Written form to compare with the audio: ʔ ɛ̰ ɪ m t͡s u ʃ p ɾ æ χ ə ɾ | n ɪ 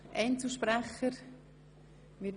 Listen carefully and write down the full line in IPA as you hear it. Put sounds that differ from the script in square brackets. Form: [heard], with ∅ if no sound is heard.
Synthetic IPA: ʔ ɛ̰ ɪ [n] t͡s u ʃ p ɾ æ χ ə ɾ | [m] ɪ